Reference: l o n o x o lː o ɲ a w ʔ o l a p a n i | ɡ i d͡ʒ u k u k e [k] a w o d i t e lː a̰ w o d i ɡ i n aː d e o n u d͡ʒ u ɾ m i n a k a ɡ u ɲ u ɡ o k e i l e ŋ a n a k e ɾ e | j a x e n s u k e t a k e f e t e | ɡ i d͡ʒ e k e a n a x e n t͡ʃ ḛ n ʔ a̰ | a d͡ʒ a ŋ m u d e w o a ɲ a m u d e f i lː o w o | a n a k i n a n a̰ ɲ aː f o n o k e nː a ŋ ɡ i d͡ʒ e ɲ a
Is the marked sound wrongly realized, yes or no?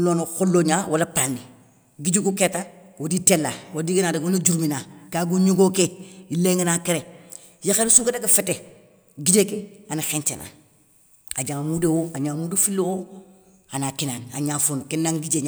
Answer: yes